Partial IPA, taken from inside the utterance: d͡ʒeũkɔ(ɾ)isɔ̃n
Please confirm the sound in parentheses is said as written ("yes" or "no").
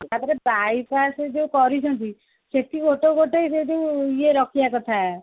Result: yes